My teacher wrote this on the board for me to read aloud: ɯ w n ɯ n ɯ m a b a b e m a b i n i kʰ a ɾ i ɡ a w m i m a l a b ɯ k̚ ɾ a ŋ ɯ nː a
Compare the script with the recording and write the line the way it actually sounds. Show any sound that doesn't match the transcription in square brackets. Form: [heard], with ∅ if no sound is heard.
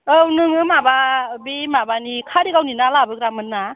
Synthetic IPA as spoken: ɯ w n ɯ [ŋ] ɯ m a b a b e m a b [a] n i kʰ a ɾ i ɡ a w [n] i [n] a l a b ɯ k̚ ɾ a [m] ɯ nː a